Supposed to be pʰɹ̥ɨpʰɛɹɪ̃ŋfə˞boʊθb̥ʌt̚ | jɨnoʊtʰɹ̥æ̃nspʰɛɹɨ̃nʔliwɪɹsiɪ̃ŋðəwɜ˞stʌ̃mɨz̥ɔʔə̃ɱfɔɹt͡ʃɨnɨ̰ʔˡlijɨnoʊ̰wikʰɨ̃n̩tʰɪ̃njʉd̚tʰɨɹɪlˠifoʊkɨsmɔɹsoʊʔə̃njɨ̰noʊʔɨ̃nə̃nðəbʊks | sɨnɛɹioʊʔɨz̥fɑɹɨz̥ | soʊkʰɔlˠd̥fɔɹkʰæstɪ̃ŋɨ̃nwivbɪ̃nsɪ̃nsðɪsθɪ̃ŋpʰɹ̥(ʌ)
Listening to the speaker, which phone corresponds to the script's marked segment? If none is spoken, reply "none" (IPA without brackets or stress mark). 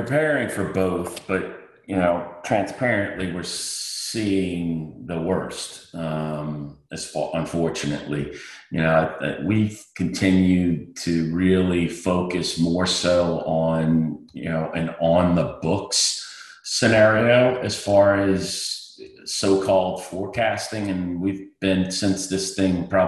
ɑ